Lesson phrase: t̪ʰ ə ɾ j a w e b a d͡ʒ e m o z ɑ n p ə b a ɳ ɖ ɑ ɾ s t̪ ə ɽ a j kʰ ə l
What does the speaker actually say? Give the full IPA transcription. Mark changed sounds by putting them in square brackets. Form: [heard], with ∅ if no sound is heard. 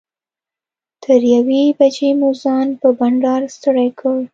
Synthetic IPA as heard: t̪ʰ ə ɾ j a w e b a d͡ʒ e m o z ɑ n p ə b a ɳ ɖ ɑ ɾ s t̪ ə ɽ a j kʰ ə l